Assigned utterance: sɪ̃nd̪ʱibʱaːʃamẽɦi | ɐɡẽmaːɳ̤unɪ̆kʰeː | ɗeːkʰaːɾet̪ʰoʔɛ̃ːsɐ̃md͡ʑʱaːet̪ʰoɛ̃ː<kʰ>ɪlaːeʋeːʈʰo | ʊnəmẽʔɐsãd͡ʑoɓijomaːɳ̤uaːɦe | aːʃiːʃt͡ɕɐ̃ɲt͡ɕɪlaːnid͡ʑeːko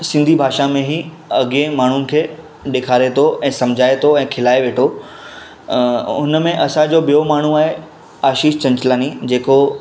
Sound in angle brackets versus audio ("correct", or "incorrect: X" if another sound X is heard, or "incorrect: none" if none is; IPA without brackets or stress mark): correct